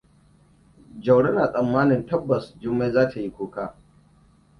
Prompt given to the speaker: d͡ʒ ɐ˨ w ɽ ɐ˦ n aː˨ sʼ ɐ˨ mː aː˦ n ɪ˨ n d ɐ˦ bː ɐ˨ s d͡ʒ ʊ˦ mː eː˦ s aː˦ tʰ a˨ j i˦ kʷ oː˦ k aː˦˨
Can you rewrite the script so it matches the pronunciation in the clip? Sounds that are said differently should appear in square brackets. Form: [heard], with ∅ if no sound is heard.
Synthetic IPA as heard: d͡ʒ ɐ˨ w ɽ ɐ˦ n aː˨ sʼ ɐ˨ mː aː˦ n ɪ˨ n [t] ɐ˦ bː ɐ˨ s d͡ʒ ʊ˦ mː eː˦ [z] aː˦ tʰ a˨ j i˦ kʷ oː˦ k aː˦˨